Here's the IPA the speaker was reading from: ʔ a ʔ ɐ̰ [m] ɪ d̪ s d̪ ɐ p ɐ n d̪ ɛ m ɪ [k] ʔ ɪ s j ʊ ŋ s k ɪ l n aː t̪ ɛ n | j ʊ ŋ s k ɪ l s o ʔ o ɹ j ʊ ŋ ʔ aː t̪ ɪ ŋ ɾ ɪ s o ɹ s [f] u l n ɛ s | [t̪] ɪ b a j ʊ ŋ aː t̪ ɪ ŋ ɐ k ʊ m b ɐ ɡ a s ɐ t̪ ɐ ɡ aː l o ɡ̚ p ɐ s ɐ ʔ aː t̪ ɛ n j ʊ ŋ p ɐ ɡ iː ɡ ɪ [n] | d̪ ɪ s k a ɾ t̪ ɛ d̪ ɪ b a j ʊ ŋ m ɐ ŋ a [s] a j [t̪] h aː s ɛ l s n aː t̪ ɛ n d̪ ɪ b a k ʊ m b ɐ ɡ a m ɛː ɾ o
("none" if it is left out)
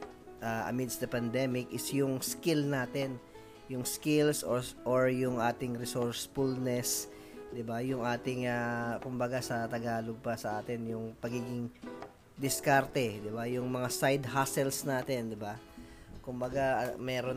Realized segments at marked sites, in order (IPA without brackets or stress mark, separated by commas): m, k, f, d̪, ŋ, s, d̪